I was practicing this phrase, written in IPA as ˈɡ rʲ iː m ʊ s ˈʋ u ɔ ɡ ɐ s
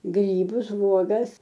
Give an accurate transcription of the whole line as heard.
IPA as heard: ˈɡ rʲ iː b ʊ s ˈʋ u ɔ ɡ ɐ s